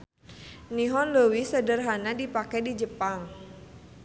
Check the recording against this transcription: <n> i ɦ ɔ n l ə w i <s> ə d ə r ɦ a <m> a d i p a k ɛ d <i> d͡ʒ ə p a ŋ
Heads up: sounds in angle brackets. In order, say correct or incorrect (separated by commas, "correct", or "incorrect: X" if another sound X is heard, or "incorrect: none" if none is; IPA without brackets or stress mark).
correct, correct, incorrect: n, correct